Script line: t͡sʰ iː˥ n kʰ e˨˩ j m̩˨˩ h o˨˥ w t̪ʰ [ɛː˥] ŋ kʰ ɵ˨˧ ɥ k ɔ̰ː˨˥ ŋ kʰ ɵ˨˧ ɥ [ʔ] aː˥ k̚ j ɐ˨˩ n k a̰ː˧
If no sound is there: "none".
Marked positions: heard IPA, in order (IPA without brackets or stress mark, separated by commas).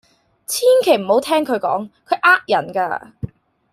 ɛː˥, ʔ